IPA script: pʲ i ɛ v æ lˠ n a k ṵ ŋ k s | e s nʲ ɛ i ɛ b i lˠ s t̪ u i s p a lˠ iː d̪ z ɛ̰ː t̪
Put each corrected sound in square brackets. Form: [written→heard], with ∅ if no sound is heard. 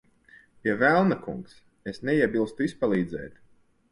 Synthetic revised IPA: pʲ i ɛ v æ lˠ n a k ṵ ŋ k s | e s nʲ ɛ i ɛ b i lˠ s t̪ u i s p a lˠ iː d̪ z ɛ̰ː t̪

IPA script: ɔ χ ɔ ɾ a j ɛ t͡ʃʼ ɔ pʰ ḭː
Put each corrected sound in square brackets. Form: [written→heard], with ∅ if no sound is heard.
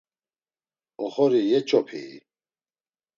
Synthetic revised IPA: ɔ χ ɔ ɾ [a→i] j ɛ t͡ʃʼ ɔ pʰ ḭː

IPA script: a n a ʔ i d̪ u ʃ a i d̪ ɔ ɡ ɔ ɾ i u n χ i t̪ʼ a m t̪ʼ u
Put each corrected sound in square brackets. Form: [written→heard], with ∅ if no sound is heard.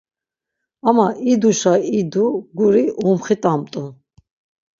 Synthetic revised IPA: a [n→m] a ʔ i d̪ u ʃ a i d̪ [ɔ→u] ɡ [ɔ→u] ɾ i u [n→m] χ i t̪ʼ a m t̪ʼ u

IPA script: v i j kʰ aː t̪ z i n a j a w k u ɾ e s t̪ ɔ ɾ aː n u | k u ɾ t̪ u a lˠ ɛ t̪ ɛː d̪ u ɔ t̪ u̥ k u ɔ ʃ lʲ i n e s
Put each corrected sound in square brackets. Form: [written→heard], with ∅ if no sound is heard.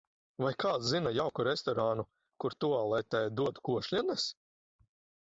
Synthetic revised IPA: v [i→a] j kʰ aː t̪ z i n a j a w k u ɾ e s t̪ ɔ ɾ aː n u | k u ɾ t̪ u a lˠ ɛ t̪ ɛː d̪ u ɔ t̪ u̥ k u ɔ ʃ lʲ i n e s

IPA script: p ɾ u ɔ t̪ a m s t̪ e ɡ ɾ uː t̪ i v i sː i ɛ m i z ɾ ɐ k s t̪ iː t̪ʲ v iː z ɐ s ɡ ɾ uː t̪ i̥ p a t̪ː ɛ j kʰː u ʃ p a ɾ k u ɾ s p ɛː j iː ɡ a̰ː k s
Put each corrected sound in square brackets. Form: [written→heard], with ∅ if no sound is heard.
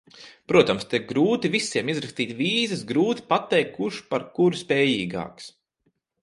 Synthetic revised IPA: p ɾ u ɔ t̪ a m s t̪ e ɡ ɾ uː t̪ i v i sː i ɛ m i z ɾ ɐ k s t̪ iː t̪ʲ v iː z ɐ s ɡ ɾ uː t̪ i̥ p a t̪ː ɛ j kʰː u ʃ p a ɾ k u ɾ s p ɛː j iː ɡ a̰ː k s

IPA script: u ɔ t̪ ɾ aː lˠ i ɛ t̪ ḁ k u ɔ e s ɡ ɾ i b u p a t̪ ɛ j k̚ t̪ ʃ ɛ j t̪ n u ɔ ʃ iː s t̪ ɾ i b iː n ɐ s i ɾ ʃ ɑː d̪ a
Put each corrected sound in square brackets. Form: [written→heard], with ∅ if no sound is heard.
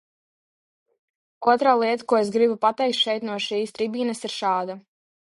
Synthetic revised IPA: u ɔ t̪ ɾ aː lˠ i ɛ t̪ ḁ k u ɔ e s ɡ ɾ i b u p a t̪ ɛ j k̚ t̪ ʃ ɛ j t̪ n u ɔ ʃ iː s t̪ ɾ i b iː n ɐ s i ɾ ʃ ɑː d̪ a

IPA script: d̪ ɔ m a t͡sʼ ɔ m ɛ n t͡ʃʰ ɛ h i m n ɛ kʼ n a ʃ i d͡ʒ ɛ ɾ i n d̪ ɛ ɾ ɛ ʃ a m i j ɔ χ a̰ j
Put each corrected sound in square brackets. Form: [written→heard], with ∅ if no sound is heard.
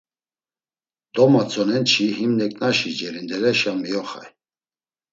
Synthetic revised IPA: d̪ ɔ m a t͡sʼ ɔ [m→n] ɛ n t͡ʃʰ [ɛ→i] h i m n ɛ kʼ n a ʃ i d͡ʒ ɛ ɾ i n d̪ ɛ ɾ ɛ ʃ a m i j ɔ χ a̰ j

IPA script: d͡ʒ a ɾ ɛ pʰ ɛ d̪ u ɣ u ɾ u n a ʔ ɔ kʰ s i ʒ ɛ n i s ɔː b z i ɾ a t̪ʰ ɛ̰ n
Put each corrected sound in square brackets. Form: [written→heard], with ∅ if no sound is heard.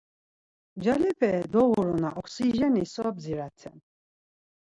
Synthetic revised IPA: d͡ʒ a [ɾ→l] ɛ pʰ ɛ d̪ [u→ɔ] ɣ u ɾ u n a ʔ ɔ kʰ s i ʒ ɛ n i s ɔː b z i ɾ a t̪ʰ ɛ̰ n

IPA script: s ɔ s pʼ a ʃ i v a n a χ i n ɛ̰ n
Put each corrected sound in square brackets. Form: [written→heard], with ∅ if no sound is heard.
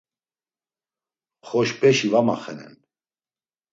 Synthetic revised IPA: [s→χ] ɔ [s→ʃ] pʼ [a→ɛ] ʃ i v a [n→m] a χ [i→ɛ] n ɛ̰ n

